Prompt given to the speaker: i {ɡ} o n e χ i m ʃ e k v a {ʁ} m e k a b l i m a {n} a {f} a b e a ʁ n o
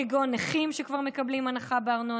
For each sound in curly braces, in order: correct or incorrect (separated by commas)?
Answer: correct, correct, correct, incorrect